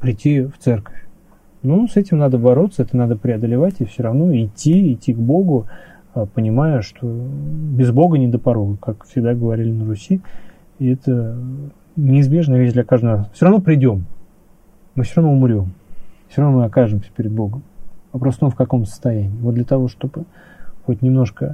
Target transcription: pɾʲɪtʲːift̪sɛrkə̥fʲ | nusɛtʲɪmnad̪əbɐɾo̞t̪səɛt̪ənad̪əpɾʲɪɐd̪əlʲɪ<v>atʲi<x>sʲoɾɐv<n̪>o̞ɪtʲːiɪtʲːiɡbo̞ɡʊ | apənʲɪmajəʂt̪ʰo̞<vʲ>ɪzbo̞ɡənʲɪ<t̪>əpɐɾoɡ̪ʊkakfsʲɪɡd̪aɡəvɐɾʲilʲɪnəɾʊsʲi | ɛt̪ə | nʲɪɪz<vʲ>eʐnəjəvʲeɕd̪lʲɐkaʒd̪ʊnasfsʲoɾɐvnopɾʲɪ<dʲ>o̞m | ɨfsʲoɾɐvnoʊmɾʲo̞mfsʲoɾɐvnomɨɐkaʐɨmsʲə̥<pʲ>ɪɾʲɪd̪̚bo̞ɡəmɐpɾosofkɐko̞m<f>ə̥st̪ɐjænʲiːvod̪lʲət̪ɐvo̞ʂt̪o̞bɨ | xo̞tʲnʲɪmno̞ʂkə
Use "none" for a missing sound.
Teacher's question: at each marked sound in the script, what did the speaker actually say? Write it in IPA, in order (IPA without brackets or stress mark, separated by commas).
v, f, n̪, bʲ, d̪, bʲ, dʲ, pʲ, s